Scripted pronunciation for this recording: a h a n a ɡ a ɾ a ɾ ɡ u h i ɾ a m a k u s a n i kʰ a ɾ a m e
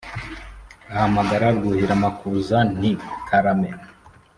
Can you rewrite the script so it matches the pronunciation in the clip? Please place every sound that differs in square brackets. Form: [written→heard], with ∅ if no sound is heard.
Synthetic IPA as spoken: a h a [n→m] a ɡ a ɾ a ɾ ɡ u h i ɾ a m a k u [s→z] a n i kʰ a ɾ a m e